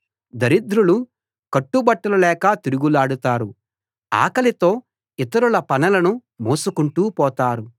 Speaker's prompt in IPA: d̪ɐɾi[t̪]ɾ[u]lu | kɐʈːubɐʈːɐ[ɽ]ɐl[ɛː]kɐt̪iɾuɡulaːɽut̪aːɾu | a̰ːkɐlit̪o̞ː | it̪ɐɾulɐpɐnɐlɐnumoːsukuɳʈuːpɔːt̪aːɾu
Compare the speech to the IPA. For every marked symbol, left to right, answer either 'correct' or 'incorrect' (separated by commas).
incorrect, correct, incorrect, correct